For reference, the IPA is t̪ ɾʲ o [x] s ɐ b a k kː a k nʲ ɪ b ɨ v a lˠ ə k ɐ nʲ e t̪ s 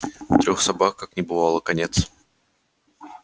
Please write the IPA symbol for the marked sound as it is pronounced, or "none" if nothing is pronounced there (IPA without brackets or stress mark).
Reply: x